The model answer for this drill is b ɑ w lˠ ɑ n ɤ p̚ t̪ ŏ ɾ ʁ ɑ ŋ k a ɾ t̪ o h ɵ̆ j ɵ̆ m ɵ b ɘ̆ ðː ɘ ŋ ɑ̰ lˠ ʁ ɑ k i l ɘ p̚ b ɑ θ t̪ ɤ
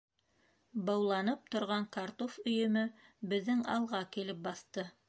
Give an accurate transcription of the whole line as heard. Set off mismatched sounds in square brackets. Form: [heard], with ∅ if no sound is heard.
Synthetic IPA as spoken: b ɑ w lˠ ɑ n ɤ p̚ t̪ ŏ ɾ ʁ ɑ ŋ k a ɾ t̪ o [f] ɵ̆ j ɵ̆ m ɵ b ɘ̆ ðː ɘ ŋ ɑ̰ lˠ ʁ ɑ k i l ɘ p̚ b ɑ θ t̪ ɤ